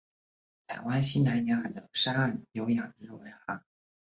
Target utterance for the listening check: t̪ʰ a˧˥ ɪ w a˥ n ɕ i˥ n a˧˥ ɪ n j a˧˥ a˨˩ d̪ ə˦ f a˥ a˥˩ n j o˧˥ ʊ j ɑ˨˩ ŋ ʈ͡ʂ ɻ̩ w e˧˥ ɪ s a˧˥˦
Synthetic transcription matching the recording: t̪ʰ a˨˩ ɪ w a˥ n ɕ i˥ n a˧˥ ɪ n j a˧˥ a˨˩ d̪ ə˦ ʂ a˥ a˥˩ n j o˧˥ ʊ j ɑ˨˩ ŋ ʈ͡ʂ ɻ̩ w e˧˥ ɪ x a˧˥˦